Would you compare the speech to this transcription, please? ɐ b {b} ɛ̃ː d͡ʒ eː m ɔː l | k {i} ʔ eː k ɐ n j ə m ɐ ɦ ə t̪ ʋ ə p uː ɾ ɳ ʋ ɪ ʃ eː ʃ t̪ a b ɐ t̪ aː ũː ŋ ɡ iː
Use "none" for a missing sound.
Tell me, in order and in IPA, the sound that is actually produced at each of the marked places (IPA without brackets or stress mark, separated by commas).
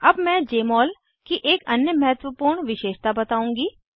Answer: m, i